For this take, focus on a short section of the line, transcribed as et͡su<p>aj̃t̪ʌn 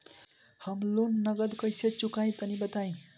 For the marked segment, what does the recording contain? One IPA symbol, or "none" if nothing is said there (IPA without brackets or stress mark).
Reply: k